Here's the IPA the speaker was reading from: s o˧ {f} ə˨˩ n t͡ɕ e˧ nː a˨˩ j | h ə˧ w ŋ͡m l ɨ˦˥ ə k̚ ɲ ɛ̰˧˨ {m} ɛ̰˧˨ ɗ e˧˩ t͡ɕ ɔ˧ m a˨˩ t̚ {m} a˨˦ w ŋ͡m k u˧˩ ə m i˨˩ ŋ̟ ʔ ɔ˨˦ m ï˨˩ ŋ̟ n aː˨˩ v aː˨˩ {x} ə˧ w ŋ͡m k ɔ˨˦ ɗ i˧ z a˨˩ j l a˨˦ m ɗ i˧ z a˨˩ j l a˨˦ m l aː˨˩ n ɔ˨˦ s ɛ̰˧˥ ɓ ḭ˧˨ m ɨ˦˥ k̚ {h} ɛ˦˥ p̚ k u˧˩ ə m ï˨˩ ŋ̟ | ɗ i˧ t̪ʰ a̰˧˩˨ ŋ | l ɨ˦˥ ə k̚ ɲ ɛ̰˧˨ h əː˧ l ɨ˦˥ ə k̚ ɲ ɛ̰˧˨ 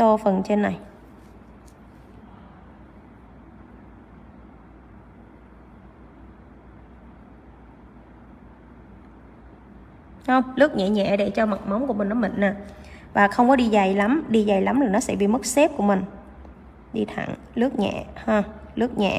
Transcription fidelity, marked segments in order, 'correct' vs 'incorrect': correct, incorrect: ɲ, correct, correct, incorrect: s

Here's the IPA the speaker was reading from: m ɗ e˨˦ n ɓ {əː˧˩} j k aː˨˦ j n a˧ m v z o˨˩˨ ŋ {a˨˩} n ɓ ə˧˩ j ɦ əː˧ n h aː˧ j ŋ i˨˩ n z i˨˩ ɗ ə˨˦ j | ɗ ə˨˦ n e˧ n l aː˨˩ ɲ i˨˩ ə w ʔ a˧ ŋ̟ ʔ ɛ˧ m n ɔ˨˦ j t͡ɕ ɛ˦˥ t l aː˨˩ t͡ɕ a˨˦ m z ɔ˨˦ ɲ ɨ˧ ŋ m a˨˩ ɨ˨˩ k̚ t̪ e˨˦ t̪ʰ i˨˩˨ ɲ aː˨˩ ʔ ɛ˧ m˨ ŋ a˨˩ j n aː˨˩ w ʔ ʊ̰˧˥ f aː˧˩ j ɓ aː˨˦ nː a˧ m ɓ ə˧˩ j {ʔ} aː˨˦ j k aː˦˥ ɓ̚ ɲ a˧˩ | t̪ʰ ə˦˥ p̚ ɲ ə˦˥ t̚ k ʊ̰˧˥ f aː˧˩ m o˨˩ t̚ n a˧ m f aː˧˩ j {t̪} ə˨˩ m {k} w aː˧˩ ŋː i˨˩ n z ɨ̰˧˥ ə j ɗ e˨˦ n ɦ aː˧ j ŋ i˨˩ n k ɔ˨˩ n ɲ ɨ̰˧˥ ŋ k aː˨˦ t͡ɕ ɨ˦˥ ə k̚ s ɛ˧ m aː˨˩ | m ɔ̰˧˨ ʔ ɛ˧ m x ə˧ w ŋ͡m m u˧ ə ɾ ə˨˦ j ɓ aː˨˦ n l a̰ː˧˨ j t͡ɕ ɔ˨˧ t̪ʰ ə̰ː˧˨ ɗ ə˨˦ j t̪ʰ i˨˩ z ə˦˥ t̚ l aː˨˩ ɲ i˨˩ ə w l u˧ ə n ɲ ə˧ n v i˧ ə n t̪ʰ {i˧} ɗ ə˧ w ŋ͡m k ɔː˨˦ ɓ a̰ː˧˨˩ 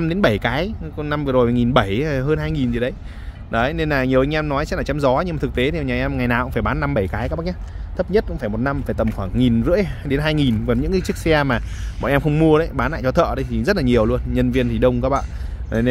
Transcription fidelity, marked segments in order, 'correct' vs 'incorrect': incorrect: ə˧˩, incorrect: i˨˩, incorrect: k, correct, incorrect: x, incorrect: i˨˩

